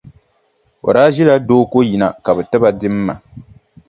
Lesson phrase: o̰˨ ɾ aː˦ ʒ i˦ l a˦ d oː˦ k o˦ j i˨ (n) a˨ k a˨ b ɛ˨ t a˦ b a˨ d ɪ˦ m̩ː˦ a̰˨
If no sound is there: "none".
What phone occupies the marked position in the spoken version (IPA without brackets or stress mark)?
n